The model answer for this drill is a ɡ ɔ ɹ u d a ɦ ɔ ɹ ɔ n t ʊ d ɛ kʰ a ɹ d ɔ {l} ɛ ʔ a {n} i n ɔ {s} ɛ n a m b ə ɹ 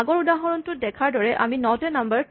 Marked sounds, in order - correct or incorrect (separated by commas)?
incorrect, incorrect, incorrect